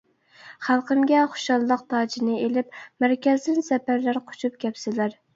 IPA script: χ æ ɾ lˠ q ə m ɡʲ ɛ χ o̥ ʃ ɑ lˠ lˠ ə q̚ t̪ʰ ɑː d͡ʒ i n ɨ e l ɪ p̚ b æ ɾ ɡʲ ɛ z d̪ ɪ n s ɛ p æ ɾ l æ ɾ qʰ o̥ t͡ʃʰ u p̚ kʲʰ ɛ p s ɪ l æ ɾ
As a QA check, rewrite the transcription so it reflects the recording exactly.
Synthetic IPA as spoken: χ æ lˠ q ə m ɡʲ ɛ χ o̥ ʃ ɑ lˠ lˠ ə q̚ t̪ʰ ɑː d͡ʒ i n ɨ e l ɪ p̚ m æ ɾ kʲ ɛ z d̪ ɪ n s ɛ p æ ɾ l æ ɾ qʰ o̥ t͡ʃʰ u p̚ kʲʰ ɛ p s ɪ l æ ɾ